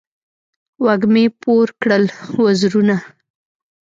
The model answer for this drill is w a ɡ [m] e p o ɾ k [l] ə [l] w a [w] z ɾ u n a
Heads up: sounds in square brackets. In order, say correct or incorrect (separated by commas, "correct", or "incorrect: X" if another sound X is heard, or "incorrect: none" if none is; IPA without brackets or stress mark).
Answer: correct, incorrect: ɽ, correct, incorrect: none